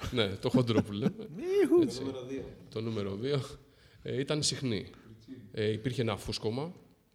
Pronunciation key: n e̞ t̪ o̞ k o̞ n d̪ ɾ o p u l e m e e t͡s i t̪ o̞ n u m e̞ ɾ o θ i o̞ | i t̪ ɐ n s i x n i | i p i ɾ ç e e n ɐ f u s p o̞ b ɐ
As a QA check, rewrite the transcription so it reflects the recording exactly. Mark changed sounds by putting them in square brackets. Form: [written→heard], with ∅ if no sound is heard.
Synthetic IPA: n e̞ t̪ o̞ [k→x] o̞ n d̪ ɾ o p u l e m e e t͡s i t̪ o̞ n u m e̞ ɾ o [θ→ð] i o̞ | i t̪ ɐ n s i x n i | i p i ɾ ç e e n ɐ f u s [p→k] o̞ [b→m] ɐ